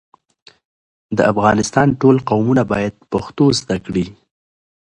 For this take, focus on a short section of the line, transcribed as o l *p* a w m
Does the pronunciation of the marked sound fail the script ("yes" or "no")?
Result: yes